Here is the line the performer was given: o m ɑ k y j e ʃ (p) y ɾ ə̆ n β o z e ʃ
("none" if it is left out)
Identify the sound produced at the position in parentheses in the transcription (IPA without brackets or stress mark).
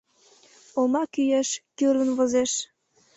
k